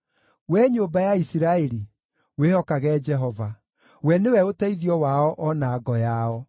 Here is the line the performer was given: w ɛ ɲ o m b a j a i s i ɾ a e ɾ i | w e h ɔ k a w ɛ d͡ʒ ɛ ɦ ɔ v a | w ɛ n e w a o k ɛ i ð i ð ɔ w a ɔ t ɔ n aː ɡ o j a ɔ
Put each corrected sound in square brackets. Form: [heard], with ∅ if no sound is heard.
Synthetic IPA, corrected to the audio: w ɛ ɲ o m b a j a i s i ɾ a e ɾ i | w e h ɔ k a [ɣ] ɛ d͡ʒ ɛ ɦ ɔ v a | w ɛ n e w [ɛ] o [t] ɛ i ð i [∅] ɔ w a ɔ [ʔ] ɔ n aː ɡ [ɔ] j a ɔ